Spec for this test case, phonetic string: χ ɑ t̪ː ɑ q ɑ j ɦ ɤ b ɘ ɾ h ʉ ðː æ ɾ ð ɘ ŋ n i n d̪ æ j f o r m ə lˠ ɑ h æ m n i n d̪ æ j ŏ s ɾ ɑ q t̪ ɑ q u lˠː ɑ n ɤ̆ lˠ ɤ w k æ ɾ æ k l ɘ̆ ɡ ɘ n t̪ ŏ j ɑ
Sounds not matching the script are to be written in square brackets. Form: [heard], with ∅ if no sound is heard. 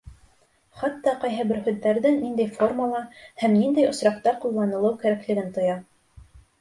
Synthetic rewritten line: χ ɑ t̪ː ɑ q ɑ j ɦ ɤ b ɘ ɾ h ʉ ðː æ ɾ ð ɘ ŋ n i n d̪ æ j f o r m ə lˠ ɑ h æ m n i n d̪ æ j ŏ s ɾ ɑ q t̪ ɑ q u lˠː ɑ n ɤ̆ lˠ ɤ w k æ ɾ æ k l ɘ̆ ɡ ɘ n t̪ ŏ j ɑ